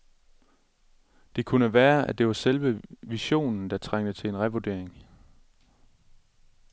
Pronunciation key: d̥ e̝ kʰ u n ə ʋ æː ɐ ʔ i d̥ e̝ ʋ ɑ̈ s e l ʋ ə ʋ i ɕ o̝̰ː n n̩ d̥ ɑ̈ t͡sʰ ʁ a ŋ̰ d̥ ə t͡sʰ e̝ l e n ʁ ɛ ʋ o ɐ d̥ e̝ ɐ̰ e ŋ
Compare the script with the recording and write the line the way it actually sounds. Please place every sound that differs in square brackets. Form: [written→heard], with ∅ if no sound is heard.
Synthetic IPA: d̥ e̝ kʰ u n ə ʋ æː ɐ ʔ [i→æ] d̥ e̝ ʋ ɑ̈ s e l ʋ ə ʋ i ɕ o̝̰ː n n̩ d̥ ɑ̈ t͡sʰ ʁ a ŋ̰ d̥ ə t͡sʰ e̝ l e n ʁ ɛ ʋ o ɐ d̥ e̝ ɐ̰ e ŋ

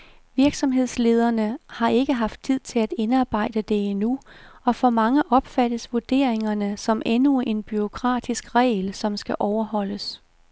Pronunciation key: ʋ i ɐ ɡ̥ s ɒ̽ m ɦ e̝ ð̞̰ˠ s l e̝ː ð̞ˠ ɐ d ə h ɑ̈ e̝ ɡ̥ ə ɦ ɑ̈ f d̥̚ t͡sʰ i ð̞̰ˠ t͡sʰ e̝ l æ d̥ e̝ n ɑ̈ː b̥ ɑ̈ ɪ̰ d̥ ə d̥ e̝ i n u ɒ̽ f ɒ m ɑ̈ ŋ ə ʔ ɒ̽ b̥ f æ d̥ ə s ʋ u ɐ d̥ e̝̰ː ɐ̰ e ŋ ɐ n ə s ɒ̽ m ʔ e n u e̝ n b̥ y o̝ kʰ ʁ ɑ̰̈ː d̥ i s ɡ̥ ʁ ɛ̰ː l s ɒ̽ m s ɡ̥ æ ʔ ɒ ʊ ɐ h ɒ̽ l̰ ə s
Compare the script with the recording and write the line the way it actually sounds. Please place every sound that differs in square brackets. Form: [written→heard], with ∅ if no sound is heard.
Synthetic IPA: ʋ i ɐ ɡ̥ s ɒ̽ m ɦ e̝ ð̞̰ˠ s l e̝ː ð̞ˠ ɐ [d→n] ə h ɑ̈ e̝ ɡ̥ ə ɦ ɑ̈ f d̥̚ t͡sʰ i ð̞̰ˠ t͡sʰ e̝ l æ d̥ e̝ n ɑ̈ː b̥ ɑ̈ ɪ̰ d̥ ə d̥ e̝ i n u ɒ̽ f ɒ m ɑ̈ ŋ ə ʔ ɒ̽ b̥ f æ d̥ ə s ʋ u ɐ d̥ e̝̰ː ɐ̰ e ŋ ɐ n ə s ɒ̽ m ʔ e n u e̝ n b̥ y o̝ kʰ ʁ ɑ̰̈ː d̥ i s ɡ̥ ʁ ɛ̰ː l s ɒ̽ m s ɡ̥ æ ʔ ɒ ʊ ɐ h ɒ̽ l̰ ə s

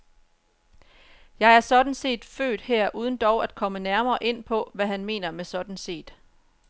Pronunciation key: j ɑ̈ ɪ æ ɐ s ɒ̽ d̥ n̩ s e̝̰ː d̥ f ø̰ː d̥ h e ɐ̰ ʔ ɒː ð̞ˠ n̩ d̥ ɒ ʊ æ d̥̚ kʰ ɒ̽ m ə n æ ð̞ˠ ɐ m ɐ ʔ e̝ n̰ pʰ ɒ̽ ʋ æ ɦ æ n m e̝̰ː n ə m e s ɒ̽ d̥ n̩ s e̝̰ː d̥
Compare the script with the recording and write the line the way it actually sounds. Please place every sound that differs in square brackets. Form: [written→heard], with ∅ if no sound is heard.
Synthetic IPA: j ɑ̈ ɪ æ ɐ s ɒ̽ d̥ n̩ s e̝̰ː d̥ f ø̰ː d̥ h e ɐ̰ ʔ [ɒː→uː] ð̞ˠ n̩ d̥ ɒ ʊ æ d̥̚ kʰ ɒ̽ m ə n æ [ð̞ˠ→∅] ɐ m [ɐ→ɐː] ʔ e̝ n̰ pʰ ɒ̽ ʋ æ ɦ æ n m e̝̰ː n [ə→ɐ] m e s ɒ̽ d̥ n̩ s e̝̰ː d̥

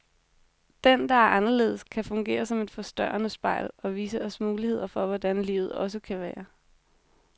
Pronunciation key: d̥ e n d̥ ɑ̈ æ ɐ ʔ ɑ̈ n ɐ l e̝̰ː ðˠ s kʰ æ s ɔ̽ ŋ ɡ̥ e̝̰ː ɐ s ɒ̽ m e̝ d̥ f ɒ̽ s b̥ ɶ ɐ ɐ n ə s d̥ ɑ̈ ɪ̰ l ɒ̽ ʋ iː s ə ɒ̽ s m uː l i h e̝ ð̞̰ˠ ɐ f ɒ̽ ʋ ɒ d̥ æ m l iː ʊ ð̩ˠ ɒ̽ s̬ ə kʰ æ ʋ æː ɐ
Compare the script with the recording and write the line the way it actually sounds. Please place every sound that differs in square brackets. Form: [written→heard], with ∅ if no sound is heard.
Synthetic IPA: d̥ e n d̥ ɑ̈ æ ɐ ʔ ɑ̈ n ɐ l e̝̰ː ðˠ s kʰ æ [s→f] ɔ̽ ŋ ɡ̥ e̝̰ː ɐ s ɒ̽ m e̝ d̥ f ɒ̽ s [b̥→d̥] ɶ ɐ ɐ n ə s [d̥→b̥] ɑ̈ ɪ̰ l ɒ̽ ʋ iː s ə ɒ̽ s m uː l i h e̝ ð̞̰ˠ ɐ f ɒ̽ ʋ ɒ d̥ æ [m→n] l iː ʊ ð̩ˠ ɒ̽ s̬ ə kʰ æ ʋ æː ɐ

